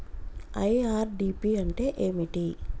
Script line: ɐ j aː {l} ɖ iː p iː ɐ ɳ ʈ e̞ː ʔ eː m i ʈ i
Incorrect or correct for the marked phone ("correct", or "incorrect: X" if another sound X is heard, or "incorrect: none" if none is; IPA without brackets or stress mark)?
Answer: incorrect: ɾ